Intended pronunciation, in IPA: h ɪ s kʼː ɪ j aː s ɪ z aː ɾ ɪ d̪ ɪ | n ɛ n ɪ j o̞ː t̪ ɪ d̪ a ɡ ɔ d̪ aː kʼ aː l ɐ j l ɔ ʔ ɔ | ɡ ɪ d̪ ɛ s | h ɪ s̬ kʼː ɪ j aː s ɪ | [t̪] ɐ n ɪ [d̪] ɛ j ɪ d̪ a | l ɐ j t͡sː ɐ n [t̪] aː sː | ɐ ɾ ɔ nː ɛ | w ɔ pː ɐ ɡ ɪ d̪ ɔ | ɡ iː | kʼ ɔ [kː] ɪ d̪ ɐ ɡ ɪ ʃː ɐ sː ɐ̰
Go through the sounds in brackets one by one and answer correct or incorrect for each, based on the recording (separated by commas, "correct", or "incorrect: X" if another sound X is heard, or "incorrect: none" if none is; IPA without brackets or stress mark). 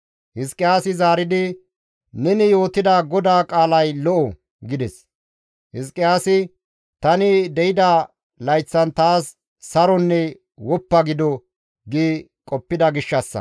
correct, correct, correct, incorrect: pː